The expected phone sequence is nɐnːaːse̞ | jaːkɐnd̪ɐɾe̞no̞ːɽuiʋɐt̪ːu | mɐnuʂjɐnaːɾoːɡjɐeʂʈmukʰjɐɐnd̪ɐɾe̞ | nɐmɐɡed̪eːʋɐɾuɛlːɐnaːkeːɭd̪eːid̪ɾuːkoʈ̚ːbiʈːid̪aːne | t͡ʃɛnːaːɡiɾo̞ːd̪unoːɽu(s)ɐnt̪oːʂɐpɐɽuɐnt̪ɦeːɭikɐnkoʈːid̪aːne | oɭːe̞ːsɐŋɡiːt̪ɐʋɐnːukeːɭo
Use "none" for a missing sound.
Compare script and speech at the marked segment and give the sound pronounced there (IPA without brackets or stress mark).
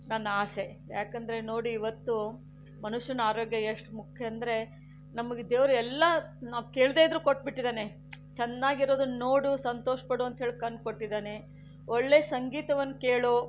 s